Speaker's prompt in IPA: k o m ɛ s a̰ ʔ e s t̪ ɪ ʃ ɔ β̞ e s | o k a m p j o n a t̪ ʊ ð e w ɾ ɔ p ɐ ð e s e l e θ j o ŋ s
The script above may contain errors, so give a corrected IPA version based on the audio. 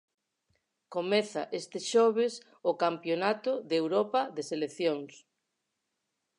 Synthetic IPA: k o m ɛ θ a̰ ʔ e s t̪ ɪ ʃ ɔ β̞ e s | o k a m p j o n a t̪ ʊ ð e w ɾ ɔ p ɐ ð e s e l e θ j o ŋ s